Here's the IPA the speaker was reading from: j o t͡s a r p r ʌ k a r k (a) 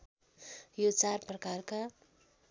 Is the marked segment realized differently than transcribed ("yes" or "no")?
no